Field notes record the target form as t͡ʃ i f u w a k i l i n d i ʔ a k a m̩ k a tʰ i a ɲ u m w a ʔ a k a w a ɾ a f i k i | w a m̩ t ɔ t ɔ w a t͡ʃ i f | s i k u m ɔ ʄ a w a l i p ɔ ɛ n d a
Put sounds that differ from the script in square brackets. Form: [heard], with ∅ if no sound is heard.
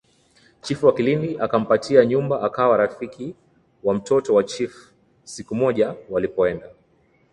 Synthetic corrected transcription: t͡ʃ i f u w a k i l i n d i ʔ a k a m̩ [p] a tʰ i a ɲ u m [b] a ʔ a k a w a ɾ a f i k i | w a m̩ t ɔ t ɔ w a t͡ʃ i f | s i k u m ɔ ʄ a w a l i p ɔ ɛ n d a